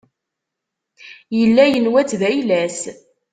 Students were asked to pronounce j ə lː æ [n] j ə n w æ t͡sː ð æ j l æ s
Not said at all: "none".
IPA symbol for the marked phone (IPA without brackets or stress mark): none